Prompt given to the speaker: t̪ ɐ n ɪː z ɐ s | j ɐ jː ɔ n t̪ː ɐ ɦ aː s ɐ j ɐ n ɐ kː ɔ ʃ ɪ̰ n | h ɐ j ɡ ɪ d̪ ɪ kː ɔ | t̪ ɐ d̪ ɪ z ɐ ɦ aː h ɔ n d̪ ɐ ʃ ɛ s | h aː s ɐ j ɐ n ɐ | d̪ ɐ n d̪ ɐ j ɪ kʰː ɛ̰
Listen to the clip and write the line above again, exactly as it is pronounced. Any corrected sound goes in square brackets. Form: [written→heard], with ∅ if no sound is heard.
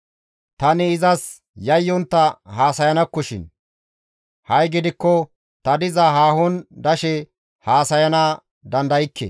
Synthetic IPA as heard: t̪ ɐ n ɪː z ɐ s | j ɐ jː ɔ n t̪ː ɐ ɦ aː s ɐ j ɐ n ɐ kː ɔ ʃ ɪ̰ n | h ɐ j ɡ ɪ d̪ ɪ kː ɔ | t̪ ɐ d̪ ɪ z ɐ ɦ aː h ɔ n d̪ ɐ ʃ ɛ [s→∅] | h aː s ɐ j ɐ n ɐ | d̪ ɐ n d̪ ɐ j ɪ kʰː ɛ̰